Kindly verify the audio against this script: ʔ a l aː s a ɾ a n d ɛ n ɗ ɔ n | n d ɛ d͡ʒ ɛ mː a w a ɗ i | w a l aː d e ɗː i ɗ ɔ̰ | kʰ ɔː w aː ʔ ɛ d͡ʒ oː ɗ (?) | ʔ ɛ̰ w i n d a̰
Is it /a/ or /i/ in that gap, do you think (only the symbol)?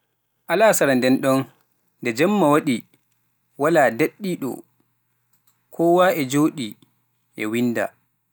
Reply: i